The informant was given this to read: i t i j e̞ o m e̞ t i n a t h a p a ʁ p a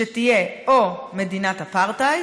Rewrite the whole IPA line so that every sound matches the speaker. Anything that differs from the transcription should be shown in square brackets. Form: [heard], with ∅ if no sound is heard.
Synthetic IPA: [e] t i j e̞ o m e̞ [d] i n a t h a p a ʁ [t] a